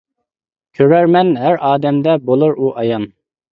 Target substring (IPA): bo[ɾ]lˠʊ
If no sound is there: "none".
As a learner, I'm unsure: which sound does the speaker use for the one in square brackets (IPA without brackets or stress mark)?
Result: none